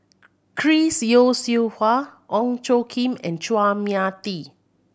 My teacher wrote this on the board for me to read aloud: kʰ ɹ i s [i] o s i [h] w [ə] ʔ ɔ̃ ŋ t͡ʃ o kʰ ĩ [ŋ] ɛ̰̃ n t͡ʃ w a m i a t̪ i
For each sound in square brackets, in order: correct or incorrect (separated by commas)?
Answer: incorrect, correct, incorrect, incorrect